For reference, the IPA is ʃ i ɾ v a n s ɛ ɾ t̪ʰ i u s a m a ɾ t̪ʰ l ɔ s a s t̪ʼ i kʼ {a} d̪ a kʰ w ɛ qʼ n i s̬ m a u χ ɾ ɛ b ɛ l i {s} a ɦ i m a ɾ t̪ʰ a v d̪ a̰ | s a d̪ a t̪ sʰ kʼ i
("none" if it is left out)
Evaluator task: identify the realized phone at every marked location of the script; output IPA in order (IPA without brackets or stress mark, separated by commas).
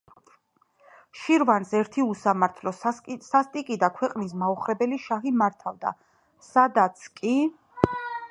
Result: i, ʃ